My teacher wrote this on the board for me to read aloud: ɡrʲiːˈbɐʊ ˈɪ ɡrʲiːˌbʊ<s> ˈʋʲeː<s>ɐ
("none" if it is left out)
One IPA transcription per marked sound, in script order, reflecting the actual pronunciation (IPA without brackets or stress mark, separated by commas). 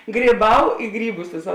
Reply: s, s